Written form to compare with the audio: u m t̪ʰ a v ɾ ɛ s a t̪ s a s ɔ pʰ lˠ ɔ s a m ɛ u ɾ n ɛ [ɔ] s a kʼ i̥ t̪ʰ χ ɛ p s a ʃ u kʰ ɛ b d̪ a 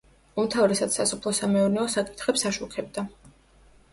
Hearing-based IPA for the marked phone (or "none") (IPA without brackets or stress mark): ɔ